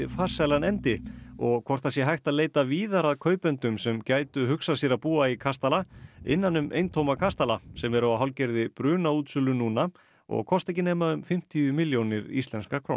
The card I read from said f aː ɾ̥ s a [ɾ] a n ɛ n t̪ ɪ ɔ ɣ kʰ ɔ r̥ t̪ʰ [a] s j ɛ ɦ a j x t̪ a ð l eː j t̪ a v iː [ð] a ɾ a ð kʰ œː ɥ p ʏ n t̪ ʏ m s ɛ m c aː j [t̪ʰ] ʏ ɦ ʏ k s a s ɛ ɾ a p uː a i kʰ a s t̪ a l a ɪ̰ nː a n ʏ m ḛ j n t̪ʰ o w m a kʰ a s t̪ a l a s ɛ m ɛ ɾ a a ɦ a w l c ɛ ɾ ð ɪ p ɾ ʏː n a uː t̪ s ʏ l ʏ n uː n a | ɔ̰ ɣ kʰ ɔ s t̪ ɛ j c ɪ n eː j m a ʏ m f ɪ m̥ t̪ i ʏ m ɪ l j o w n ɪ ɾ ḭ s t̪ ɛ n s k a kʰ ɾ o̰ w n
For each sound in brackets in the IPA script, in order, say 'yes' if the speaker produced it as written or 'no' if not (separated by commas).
no, yes, yes, no